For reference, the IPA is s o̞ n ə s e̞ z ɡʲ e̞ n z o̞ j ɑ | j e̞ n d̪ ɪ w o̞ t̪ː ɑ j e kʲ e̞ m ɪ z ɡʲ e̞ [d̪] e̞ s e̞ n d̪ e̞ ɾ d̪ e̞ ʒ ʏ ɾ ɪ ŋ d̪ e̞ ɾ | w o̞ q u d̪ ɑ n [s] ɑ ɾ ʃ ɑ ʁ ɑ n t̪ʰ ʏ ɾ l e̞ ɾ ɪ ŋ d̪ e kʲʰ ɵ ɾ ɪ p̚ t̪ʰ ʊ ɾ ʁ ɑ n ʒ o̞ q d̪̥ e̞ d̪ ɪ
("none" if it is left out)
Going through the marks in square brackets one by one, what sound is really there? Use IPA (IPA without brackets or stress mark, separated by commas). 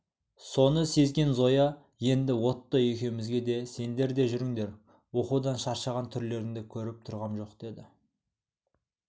d̪, ʃ